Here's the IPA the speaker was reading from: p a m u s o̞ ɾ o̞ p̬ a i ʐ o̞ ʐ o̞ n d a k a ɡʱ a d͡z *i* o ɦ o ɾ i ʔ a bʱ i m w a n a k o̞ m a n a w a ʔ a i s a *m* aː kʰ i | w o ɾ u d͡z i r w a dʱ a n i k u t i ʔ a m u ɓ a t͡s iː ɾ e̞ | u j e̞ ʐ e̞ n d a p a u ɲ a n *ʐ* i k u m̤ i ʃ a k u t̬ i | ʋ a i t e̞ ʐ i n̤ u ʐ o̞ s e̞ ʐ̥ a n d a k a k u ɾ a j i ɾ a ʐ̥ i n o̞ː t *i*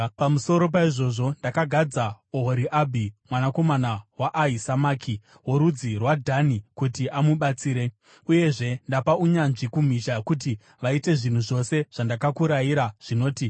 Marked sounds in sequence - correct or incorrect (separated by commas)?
incorrect, correct, correct, correct